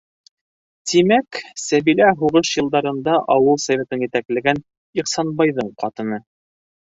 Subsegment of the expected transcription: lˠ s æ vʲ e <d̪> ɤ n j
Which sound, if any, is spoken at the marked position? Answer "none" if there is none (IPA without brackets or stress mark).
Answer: t̪